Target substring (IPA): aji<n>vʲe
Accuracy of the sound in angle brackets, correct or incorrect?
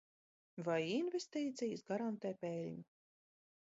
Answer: correct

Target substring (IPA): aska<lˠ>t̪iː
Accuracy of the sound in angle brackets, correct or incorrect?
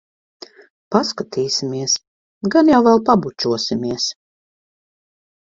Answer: incorrect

